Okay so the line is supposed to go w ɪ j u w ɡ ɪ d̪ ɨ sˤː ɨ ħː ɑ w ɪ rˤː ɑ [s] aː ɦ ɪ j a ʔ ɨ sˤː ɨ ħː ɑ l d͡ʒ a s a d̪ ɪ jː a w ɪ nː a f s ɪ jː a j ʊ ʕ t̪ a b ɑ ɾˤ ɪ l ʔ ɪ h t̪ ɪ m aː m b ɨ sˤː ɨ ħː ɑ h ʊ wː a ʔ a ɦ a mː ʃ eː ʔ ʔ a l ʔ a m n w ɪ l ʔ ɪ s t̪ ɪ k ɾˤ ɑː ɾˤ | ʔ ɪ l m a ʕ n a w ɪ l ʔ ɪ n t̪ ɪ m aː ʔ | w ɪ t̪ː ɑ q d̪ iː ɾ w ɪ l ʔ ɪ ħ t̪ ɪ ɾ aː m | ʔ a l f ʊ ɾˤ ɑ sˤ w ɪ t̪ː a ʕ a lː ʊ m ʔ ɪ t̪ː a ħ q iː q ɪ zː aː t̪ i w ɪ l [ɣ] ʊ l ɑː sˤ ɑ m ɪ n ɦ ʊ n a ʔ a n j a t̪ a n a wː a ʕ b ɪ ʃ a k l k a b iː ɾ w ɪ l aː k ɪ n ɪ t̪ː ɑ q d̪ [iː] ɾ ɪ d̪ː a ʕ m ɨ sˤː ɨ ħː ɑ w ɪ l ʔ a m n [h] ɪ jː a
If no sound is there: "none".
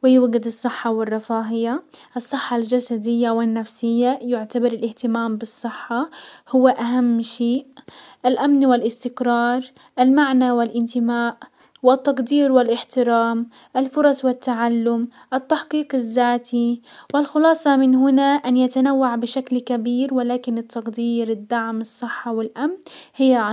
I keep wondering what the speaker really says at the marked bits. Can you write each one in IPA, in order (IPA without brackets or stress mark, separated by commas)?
f, x, iː, h